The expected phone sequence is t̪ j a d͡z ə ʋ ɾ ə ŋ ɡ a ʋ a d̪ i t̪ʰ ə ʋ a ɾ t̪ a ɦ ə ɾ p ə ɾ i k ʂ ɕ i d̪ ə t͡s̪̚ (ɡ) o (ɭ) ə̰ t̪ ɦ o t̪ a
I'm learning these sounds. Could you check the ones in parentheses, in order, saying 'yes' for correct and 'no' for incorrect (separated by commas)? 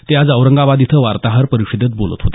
no, no